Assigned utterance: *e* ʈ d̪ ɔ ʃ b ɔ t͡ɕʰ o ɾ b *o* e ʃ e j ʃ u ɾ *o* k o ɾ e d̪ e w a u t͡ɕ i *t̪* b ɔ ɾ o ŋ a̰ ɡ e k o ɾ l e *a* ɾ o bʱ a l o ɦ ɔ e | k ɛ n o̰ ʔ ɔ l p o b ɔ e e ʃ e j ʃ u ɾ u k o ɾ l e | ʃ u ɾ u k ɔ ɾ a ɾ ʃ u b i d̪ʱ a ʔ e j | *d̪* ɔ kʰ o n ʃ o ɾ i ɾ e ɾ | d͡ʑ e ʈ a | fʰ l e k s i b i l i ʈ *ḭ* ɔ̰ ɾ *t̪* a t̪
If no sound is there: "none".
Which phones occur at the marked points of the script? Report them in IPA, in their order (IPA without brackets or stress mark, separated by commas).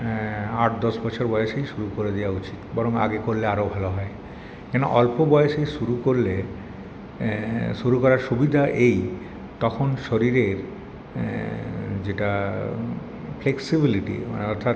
a, ɔ, u, t̪, a, t̪, ḭ, t̪ʰ